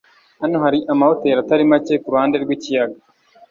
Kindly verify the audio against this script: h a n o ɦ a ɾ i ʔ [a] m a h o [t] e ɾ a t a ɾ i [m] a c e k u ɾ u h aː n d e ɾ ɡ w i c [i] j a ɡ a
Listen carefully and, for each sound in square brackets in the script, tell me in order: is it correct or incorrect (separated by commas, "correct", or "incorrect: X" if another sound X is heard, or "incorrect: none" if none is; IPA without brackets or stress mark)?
correct, correct, correct, correct